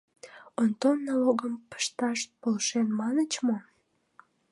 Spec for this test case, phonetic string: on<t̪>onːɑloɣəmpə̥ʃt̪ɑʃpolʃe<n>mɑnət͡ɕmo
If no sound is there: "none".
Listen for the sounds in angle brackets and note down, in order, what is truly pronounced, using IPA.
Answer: t̪, n

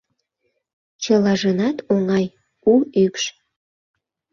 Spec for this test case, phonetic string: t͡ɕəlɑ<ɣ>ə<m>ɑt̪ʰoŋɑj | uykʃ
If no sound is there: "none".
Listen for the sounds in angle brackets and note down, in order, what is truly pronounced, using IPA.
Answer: ʒ, n

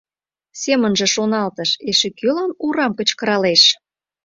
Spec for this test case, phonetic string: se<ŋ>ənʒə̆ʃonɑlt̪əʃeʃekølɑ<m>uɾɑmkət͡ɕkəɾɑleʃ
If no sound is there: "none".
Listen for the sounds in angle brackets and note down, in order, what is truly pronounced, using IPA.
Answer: m, n

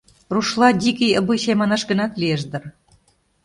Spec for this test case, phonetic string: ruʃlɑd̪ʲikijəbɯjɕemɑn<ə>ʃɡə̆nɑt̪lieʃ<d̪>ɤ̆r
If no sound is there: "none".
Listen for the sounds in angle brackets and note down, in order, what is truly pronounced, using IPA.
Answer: ɑ, d̪

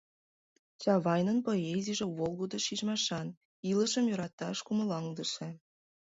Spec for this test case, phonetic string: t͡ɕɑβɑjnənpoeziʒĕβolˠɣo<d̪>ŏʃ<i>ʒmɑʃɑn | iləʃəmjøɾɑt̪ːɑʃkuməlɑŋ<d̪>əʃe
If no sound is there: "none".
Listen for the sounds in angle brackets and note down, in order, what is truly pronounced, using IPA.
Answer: d̪, i, d̪

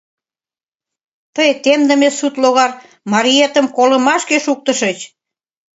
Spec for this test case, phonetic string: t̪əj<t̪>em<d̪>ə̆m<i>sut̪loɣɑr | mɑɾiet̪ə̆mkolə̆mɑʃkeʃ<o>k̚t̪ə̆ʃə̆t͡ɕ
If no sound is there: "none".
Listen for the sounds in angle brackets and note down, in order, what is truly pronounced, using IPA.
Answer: t̪, d̪, e, u

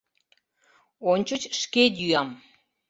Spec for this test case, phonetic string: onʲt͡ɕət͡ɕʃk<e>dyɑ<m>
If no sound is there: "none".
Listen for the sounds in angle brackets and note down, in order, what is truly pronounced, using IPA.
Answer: e, m

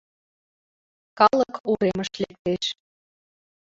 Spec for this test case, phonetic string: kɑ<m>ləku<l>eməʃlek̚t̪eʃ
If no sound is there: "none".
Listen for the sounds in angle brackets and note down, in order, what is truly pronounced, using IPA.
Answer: none, ɾ

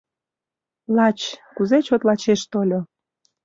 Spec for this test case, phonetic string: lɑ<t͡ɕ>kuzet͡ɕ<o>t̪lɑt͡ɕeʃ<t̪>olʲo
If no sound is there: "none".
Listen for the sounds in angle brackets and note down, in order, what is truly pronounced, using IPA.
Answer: t͡ɕ, o, t̪

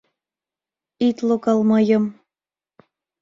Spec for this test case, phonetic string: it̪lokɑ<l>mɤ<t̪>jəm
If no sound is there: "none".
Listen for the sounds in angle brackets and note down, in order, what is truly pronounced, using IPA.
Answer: l, none

